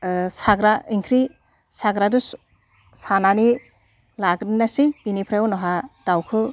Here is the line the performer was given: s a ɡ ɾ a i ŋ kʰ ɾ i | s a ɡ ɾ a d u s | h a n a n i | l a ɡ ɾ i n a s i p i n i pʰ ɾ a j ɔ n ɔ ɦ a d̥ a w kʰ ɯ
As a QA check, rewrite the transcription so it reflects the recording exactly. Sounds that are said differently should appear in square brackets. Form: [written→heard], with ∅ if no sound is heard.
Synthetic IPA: s a ɡ ɾ a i ŋ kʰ ɾ i | s a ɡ ɾ a d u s | [h→s] a n a n i | l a ɡ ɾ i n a s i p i n i pʰ ɾ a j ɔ n ɔ ɦ a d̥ a w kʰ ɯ